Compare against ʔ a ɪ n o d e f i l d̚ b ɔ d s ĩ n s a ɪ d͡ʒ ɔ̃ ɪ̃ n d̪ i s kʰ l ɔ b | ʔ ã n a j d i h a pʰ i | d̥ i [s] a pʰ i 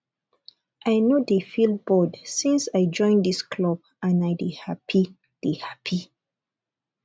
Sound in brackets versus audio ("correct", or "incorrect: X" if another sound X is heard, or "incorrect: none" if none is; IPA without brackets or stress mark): incorrect: h